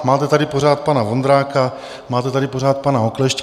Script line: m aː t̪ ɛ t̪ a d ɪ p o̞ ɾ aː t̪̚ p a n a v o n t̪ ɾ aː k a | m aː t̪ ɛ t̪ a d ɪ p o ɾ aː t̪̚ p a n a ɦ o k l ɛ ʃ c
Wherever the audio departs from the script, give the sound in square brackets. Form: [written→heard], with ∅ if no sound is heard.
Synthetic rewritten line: m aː t̪ ɛ t̪ a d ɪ p o̞ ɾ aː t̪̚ p a n a v o n [t̪→d̪] ɾ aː k a | m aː t̪ ɛ t̪ a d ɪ p o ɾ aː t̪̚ p a n a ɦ o k l ɛ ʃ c